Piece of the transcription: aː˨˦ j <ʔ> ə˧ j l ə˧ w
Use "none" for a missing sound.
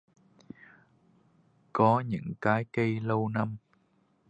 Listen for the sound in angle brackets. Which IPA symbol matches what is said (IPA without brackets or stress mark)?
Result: k